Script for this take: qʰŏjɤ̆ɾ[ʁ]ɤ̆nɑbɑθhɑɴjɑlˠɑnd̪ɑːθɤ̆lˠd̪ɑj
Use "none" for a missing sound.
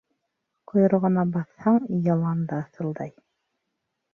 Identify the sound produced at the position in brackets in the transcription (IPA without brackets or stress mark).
ʁ